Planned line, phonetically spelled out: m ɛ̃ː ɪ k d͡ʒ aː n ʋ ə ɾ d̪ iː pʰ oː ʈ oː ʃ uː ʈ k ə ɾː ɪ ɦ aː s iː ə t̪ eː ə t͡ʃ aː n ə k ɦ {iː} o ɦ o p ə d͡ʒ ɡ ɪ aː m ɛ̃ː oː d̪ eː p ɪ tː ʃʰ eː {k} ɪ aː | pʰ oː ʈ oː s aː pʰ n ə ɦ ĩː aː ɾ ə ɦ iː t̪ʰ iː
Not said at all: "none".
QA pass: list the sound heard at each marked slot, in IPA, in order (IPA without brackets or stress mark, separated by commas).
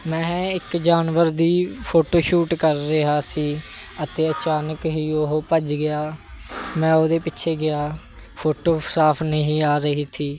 iː, ɡ